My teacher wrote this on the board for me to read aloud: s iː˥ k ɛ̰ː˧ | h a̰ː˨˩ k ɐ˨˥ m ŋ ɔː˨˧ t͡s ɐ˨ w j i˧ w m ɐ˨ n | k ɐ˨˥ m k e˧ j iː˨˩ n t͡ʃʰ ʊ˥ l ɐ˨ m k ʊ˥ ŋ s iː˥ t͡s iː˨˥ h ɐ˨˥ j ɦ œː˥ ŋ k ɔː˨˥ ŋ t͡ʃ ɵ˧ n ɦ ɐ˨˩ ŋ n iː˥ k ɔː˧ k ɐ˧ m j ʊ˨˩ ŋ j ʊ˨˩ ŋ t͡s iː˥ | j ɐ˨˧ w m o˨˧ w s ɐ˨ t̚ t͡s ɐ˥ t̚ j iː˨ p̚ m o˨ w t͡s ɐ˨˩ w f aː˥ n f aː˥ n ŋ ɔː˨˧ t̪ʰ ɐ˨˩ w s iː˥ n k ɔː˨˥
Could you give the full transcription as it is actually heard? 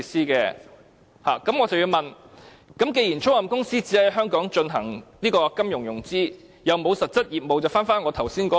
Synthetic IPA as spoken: s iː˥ k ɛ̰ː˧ | h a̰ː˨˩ k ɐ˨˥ m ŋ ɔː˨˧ t͡s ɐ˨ w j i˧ w m ɐ˨ n | k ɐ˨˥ m k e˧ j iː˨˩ n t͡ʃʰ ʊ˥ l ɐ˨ m k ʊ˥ ŋ s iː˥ t͡s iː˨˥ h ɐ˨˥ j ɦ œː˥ ŋ k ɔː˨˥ ŋ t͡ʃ ɵ˧ n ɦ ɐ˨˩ ŋ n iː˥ k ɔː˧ k ɐ˥ m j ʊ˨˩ ŋ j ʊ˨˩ ŋ t͡s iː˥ | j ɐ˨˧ w m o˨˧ w s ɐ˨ t̚ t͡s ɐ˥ t̚ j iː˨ p̚ m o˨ w t͡s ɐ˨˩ w f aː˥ n f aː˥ n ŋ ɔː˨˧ t̪ʰ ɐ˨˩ w s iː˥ n k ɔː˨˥